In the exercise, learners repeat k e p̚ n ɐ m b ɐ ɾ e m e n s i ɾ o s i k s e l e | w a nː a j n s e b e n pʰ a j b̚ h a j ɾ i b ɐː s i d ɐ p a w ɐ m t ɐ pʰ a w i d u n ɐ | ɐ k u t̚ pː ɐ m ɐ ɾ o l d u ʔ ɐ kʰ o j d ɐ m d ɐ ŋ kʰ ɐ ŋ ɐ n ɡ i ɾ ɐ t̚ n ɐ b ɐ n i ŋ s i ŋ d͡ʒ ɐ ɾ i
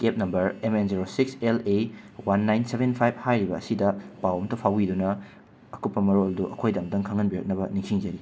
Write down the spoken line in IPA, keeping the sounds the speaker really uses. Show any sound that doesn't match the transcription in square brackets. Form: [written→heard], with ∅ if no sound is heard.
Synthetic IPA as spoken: k e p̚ n ɐ m b ɐ ɾ e m e n [s→z] i ɾ o s i k s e l e | w a nː a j n s e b e n pʰ a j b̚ h a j ɾ i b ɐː s i d ɐ p a w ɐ m t ɐ pʰ a w i d u n ɐ | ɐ k u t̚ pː ɐ m ɐ ɾ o l d u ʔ ɐ kʰ o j d ɐ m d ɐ ŋ kʰ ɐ ŋ ɐ n [ɡ→b] i ɾ ɐ [t̚→k̚] n ɐ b ɐ n i ŋ s i ŋ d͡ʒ ɐ ɾ i